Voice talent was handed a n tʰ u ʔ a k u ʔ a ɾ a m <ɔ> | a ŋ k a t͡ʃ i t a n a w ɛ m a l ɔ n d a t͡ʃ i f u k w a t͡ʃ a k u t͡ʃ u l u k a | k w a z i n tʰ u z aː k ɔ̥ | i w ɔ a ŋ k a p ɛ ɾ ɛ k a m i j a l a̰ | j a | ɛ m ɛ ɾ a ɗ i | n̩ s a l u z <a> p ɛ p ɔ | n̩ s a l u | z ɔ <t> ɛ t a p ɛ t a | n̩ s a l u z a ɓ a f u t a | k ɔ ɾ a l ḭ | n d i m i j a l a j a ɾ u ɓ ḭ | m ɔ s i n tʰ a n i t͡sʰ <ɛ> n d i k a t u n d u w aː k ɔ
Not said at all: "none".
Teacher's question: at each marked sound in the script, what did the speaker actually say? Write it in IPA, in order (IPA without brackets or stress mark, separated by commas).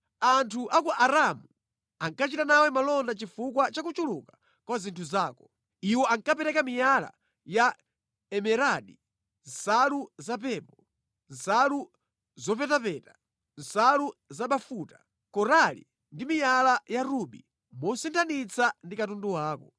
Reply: u, a, p, a